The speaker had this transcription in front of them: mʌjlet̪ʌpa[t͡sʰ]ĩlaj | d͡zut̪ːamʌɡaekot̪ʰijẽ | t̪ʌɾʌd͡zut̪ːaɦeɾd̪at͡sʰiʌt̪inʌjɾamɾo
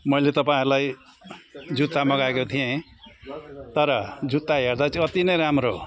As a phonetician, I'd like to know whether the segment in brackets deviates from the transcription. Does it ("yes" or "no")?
yes